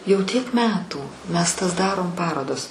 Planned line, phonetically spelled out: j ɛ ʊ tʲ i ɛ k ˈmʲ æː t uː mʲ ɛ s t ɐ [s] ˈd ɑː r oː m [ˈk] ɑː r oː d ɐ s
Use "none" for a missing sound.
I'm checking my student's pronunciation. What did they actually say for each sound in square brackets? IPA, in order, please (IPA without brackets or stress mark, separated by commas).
s, p